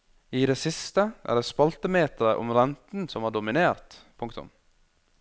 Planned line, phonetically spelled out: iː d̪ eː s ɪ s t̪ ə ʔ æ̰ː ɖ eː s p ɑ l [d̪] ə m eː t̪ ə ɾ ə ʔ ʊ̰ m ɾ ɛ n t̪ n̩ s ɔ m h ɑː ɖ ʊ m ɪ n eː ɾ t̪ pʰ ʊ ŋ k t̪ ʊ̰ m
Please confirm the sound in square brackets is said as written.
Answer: no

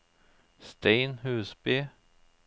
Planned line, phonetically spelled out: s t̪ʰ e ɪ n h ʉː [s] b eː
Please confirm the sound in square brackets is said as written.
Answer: yes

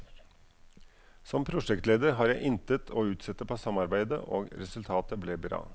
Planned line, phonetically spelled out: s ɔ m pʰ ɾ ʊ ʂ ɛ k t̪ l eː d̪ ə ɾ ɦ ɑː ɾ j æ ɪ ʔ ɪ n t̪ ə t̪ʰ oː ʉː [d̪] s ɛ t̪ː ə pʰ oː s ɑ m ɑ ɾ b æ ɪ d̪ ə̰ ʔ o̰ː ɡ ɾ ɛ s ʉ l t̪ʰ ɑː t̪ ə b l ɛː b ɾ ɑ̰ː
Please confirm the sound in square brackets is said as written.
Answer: no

